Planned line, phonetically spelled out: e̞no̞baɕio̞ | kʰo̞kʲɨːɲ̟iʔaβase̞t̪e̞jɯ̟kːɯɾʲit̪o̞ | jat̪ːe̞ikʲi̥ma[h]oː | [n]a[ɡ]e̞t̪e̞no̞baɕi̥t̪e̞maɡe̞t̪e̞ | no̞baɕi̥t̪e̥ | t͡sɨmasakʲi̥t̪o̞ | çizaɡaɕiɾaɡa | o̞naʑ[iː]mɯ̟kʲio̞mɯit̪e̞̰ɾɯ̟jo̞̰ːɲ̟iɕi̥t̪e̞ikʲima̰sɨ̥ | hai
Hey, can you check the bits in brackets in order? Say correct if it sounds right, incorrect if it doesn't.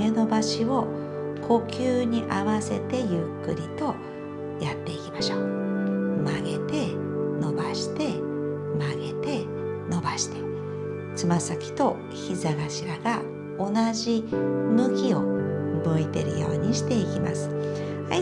incorrect: ɕ, incorrect: m, correct, incorrect: i

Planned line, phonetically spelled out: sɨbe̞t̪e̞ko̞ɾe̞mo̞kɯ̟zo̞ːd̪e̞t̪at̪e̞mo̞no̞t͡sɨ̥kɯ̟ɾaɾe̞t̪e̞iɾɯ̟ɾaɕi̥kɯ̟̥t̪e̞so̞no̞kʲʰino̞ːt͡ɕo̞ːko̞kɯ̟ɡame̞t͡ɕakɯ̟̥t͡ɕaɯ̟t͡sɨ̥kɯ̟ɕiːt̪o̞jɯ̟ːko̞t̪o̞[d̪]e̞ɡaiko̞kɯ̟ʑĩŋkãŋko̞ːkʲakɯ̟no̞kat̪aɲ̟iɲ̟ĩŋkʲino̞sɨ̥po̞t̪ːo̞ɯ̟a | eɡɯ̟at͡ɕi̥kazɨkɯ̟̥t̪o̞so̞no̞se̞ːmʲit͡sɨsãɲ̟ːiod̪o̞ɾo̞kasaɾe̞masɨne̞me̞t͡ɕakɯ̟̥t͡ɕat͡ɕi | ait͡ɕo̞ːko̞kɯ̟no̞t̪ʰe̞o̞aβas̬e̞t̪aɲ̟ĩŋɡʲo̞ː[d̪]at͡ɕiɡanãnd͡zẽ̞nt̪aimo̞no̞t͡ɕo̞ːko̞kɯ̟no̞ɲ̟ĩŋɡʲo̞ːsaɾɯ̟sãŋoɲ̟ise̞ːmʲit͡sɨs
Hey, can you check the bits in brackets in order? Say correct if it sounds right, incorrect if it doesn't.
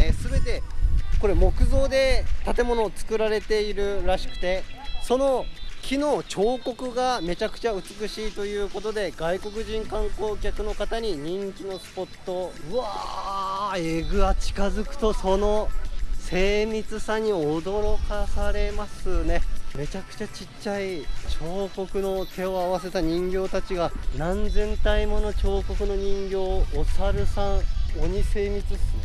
correct, incorrect: t̪

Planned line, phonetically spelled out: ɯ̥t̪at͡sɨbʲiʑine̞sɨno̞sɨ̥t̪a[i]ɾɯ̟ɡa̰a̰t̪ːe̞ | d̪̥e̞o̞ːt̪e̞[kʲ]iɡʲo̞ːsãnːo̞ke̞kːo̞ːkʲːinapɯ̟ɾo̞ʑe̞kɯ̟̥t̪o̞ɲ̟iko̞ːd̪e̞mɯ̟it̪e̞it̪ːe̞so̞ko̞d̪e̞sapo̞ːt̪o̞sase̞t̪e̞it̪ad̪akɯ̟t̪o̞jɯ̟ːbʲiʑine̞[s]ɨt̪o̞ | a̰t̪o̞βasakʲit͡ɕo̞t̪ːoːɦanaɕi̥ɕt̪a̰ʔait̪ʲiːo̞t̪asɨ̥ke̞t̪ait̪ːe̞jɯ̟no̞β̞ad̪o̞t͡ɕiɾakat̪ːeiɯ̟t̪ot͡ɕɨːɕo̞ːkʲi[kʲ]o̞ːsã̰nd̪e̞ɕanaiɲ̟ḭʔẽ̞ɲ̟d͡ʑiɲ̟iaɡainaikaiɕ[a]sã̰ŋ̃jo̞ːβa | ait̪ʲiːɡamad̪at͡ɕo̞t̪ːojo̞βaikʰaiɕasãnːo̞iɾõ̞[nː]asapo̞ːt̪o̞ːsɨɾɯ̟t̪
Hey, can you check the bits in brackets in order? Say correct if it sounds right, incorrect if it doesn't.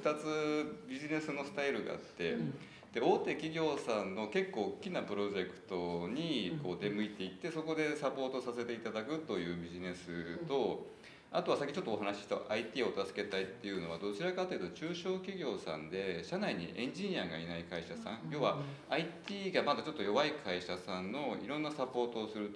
correct, correct, correct, incorrect: ɡʲ, correct, correct

